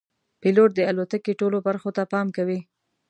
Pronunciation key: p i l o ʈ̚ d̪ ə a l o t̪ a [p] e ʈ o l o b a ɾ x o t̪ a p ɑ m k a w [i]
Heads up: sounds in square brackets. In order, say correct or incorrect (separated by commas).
incorrect, correct